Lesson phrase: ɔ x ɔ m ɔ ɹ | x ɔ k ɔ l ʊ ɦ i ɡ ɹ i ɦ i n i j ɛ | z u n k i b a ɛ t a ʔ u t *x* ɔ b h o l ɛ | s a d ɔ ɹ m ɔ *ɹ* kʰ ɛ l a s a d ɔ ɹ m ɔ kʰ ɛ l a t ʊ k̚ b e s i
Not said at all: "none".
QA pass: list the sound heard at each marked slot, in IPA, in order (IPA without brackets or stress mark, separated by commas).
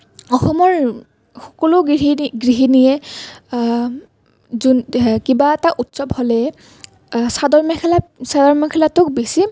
s, none